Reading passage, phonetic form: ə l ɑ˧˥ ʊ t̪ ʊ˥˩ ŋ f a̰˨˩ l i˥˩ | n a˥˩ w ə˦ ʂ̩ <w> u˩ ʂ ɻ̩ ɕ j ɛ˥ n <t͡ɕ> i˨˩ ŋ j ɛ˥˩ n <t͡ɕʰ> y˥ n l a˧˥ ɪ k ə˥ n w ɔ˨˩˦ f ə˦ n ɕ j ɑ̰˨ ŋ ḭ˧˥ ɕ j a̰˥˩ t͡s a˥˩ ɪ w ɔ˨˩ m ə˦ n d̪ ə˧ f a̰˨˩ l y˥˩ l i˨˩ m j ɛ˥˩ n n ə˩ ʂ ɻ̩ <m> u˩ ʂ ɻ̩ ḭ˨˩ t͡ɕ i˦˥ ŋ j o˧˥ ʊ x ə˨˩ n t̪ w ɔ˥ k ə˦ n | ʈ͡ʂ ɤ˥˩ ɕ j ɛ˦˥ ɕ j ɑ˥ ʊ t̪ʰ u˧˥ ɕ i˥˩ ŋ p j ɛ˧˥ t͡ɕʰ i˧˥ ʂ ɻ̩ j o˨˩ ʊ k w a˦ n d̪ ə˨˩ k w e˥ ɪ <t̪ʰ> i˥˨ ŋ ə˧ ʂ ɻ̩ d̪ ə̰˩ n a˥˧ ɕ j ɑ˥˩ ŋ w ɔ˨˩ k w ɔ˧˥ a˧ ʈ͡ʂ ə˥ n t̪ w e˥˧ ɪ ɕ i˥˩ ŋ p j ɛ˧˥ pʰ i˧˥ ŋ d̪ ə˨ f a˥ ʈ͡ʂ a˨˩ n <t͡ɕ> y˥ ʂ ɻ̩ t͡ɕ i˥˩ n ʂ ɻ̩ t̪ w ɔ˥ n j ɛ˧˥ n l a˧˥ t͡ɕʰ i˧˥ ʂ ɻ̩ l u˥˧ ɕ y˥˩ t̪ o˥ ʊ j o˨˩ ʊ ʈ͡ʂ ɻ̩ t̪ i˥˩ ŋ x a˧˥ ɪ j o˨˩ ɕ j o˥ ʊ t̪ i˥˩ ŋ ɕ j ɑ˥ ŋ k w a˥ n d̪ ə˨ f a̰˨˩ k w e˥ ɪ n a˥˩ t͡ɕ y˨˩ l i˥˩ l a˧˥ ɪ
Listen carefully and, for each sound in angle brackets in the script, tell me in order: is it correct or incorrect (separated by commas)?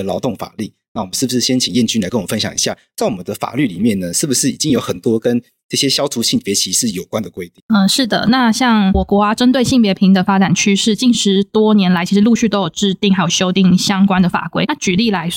incorrect, incorrect, incorrect, incorrect, incorrect, incorrect